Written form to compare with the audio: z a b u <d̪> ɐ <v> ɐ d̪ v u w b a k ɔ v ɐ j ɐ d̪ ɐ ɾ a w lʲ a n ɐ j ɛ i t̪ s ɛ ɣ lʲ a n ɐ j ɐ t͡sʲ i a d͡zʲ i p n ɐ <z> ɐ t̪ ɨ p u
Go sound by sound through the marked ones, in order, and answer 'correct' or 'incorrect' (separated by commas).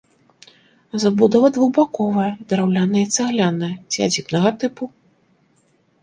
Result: correct, correct, incorrect